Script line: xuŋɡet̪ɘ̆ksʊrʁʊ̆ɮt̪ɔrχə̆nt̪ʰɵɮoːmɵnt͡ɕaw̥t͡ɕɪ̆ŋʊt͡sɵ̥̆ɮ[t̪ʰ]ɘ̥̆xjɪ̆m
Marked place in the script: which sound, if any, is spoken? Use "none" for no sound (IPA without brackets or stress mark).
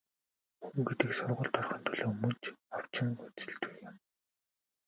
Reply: t̪